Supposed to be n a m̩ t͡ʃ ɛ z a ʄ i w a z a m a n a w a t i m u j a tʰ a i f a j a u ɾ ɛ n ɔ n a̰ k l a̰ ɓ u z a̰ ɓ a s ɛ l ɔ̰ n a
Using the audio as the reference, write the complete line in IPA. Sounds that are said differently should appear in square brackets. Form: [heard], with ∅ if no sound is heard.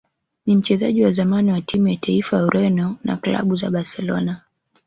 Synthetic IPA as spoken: n [i] m̩ t͡ʃ ɛ z a ʄ i w a z a m a n [i] w a t i m u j a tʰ a i f a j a u ɾ ɛ n ɔ n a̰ k l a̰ ɓ u z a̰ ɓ a s ɛ l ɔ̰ n a